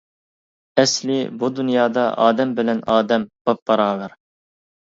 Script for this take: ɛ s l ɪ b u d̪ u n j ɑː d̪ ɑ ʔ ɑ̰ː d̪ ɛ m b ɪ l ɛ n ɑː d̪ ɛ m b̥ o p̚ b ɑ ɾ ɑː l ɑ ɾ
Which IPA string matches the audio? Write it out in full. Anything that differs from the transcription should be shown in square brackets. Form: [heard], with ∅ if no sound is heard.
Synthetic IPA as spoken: ɛ s l ɪ b u d̪ u n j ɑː d̪ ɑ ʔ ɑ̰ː d̪ ɛ m b ɪ l ɛ n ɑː d̪ ɛ m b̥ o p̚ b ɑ ɾ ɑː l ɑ ɾ